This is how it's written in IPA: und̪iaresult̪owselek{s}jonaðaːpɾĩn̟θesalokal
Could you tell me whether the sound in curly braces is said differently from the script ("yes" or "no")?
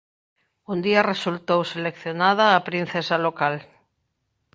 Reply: yes